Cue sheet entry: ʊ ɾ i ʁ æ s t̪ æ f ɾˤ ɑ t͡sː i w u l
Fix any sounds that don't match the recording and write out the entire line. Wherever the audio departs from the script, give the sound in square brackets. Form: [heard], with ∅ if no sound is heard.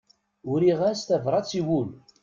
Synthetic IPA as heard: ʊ ɾ i ʁ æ s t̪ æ [v] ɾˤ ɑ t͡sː i w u l